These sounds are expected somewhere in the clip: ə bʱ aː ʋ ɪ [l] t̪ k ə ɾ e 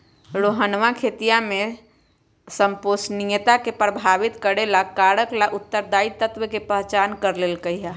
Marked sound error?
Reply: yes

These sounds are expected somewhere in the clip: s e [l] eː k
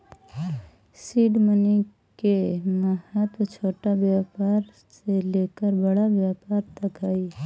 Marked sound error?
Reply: no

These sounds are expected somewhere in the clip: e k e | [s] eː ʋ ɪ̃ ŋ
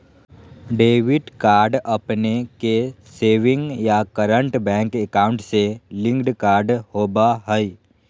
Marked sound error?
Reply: no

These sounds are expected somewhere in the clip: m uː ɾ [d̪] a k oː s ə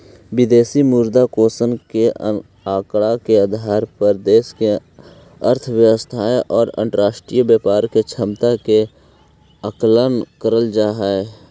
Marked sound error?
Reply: no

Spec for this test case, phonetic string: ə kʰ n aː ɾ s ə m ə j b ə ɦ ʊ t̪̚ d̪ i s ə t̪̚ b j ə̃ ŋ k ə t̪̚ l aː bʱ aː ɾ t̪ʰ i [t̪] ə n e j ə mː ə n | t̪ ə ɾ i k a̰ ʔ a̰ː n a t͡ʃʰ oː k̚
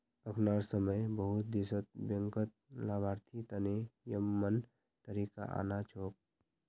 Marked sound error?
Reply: no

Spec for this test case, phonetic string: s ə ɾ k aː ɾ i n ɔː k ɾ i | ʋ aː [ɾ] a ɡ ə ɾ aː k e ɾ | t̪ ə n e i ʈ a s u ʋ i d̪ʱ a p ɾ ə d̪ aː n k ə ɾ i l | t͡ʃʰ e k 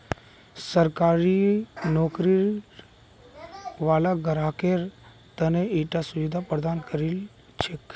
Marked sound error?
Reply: yes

